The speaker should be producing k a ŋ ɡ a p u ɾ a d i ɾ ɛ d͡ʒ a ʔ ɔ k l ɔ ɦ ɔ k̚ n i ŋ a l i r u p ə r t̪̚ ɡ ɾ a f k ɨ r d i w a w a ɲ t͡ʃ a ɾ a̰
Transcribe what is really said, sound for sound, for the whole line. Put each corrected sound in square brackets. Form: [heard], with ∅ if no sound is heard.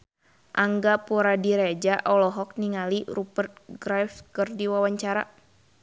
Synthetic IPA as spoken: [ʔ] a ŋ ɡ a p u ɾ a d i ɾ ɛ d͡ʒ a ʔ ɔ [∅] l ɔ ɦ ɔ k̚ n i ŋ a l i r u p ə r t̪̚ ɡ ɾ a f k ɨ r d i w a w a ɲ t͡ʃ a ɾ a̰